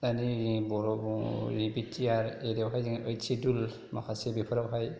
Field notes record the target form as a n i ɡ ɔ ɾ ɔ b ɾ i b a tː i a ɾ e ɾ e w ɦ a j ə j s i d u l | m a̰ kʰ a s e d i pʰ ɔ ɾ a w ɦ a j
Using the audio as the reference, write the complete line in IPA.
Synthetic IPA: a n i b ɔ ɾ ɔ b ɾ i b i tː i a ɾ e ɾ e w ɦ a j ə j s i d u l | m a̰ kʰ a s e b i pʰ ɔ ɾ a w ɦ a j